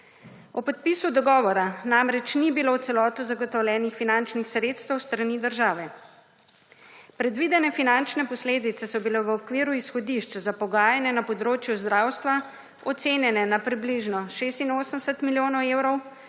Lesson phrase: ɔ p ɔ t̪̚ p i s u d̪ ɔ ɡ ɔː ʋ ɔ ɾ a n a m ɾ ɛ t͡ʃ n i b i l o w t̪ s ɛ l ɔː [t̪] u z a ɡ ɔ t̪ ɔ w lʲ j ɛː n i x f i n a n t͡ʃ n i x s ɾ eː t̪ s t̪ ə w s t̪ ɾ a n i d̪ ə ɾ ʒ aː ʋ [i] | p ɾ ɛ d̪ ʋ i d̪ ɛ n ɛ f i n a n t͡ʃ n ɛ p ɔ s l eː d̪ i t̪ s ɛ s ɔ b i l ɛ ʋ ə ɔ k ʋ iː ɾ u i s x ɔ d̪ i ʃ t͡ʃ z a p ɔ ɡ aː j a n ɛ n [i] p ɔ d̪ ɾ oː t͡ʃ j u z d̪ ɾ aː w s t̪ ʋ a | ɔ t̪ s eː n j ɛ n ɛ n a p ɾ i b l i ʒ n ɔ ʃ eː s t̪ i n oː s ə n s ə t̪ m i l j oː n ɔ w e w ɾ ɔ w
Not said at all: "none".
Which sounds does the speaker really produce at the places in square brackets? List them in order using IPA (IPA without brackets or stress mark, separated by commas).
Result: t̪, ɛ, a